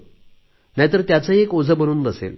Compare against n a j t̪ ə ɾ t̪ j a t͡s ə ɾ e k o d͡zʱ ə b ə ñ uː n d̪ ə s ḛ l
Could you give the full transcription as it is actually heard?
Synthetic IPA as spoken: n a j t̪ ə ɾ t̪ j a t͡s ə e k o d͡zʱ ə b ə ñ uː n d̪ ə s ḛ l